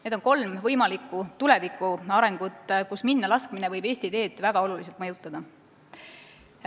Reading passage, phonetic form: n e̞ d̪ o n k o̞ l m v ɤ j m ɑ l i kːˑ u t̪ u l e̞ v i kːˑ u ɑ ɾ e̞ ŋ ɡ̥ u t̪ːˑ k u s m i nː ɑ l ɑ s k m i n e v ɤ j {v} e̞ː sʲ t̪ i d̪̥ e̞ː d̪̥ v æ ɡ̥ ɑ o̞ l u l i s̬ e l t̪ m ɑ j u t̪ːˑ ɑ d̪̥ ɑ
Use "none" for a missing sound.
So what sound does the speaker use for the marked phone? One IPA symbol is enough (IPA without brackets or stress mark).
b